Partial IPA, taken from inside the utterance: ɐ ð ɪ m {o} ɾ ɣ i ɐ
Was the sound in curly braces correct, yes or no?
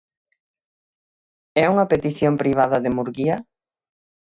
no